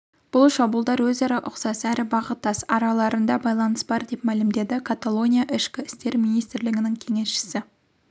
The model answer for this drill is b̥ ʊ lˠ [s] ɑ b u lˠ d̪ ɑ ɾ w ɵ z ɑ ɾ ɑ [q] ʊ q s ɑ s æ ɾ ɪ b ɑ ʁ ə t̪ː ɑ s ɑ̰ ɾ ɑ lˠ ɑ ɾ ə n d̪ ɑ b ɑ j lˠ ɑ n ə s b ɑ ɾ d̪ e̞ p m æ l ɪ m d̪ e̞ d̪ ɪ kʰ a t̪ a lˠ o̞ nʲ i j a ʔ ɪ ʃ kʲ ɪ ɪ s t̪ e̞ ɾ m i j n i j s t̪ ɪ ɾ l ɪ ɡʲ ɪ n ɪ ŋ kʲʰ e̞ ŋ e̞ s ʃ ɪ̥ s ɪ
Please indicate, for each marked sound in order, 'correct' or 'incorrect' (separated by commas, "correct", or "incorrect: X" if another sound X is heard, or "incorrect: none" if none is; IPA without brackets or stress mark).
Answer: incorrect: ʃ, incorrect: ʔ